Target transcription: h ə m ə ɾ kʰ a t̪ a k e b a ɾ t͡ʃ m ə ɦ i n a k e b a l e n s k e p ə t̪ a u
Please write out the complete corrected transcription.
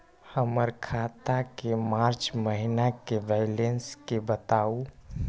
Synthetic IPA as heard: h ə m ə ɾ kʰ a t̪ a k e m a ɾ t͡ʃ m ə ɦ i n a k e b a l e n s k e b ə t̪ a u